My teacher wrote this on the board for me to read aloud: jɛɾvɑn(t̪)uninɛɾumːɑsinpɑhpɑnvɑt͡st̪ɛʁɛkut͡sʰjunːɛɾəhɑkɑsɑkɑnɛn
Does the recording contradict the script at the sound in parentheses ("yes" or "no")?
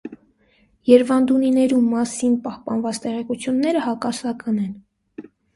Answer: yes